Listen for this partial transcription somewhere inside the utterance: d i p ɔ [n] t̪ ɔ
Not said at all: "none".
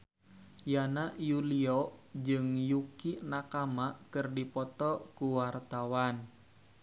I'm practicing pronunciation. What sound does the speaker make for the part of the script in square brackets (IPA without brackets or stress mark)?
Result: none